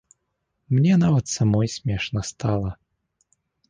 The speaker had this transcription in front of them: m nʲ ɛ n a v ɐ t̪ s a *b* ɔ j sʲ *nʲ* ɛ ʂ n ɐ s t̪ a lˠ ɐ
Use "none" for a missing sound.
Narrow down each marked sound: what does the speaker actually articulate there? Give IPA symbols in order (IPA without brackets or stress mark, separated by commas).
m, mʲ